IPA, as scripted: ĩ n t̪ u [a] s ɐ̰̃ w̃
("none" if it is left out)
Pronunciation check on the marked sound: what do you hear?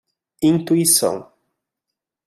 i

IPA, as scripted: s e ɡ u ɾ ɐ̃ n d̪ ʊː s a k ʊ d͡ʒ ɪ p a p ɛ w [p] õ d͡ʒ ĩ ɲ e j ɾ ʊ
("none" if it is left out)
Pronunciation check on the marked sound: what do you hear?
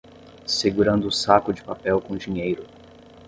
k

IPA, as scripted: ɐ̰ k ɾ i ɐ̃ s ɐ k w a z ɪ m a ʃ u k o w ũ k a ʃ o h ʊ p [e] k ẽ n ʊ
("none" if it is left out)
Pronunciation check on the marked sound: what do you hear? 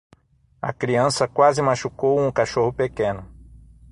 e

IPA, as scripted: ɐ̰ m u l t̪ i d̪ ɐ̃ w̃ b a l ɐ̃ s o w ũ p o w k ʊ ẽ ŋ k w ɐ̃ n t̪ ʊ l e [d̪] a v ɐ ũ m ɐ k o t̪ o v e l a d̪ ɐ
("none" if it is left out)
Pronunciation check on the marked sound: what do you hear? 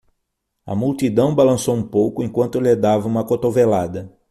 d̪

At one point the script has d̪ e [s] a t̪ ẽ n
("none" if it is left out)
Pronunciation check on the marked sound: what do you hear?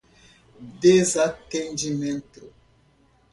z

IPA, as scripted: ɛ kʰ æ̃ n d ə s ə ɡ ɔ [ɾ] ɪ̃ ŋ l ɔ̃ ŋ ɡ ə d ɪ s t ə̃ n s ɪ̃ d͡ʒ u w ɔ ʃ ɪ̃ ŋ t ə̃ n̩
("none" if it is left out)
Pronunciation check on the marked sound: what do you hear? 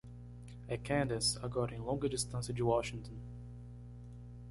ɾ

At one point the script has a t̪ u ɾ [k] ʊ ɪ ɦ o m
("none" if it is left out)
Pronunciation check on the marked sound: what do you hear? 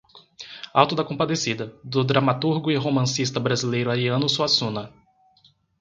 ɡ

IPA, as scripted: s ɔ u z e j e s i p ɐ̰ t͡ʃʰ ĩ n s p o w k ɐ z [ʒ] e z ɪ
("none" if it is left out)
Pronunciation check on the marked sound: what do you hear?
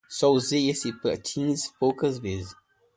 v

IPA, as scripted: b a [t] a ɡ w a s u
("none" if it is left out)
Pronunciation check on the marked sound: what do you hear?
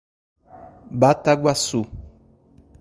t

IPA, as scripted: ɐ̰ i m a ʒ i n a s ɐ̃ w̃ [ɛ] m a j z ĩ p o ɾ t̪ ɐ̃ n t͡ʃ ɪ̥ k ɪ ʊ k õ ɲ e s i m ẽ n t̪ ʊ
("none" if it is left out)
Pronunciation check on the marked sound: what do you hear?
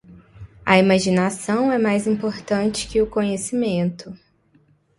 ɛ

